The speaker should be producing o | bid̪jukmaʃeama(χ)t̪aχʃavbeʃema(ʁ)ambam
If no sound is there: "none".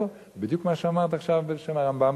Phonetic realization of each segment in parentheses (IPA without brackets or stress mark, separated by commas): ʁ, ʁ